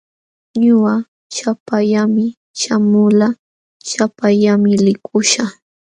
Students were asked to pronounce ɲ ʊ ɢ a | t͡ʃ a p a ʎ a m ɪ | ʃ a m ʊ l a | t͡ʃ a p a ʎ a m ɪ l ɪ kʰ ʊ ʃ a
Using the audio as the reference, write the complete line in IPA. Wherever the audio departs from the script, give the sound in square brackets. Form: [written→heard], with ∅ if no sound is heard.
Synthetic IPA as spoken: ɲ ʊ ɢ a | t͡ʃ a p a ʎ a m ɪ | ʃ a m ʊ l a | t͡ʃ a p a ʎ a m ɪ l ɪ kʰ ʊ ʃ a